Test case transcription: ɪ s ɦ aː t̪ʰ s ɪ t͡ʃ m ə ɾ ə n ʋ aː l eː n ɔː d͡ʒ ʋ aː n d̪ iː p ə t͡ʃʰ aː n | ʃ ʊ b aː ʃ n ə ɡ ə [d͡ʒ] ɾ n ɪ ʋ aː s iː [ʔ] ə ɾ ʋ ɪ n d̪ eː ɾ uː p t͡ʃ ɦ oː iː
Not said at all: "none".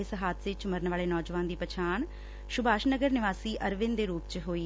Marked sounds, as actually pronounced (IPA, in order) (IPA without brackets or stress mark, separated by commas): none, ʔ